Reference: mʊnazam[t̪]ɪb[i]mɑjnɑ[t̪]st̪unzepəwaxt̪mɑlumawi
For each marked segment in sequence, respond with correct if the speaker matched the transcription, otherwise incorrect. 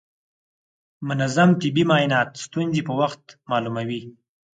correct, correct, correct

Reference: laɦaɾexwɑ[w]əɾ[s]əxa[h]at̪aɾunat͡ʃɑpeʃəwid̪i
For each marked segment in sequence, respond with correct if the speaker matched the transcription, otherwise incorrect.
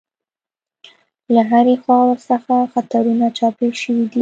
correct, correct, incorrect

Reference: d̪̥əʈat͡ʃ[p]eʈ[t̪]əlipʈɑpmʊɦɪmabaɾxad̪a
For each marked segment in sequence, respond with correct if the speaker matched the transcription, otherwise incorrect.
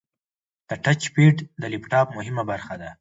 correct, incorrect

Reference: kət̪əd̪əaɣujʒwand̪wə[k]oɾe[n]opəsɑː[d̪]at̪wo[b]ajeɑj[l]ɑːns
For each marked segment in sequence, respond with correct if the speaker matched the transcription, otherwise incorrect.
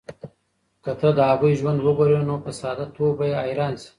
incorrect, correct, correct, correct, incorrect

